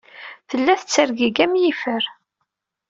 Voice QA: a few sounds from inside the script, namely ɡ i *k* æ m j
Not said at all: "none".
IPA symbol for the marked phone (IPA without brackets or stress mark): ɡ